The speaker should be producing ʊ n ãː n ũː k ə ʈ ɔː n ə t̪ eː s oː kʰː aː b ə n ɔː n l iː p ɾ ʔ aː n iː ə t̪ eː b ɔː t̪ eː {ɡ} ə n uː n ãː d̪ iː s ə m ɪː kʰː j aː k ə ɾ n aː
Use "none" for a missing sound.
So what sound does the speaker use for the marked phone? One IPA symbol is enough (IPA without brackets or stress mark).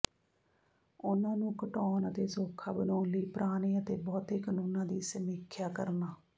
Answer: k